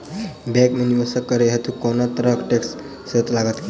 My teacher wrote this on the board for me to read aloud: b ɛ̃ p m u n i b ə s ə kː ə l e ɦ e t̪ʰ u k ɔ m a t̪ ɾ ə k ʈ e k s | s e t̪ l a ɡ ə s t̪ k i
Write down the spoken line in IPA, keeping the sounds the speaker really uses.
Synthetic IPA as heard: b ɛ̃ k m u n i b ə s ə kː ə ɾ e ɦ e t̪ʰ u k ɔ n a t̪ ɾ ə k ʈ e k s | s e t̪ l a ɡ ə t̪ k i